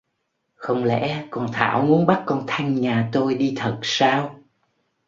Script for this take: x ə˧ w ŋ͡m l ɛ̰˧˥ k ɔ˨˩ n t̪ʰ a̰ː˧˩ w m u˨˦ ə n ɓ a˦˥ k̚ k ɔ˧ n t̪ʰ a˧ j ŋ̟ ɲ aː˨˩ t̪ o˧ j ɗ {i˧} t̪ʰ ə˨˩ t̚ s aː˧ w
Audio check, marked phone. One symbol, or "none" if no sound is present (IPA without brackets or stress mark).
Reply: i˧